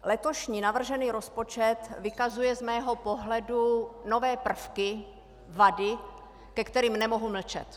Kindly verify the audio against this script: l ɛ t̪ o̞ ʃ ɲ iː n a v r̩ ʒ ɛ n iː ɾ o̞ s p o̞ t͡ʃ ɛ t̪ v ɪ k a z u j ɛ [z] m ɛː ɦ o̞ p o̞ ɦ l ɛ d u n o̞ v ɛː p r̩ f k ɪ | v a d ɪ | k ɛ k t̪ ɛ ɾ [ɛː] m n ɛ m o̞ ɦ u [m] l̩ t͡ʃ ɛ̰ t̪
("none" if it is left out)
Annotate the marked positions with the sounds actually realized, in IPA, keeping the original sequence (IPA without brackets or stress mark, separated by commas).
z, iː, m